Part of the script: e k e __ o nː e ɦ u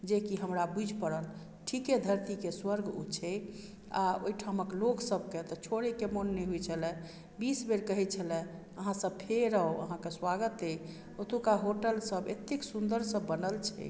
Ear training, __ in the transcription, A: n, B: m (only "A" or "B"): B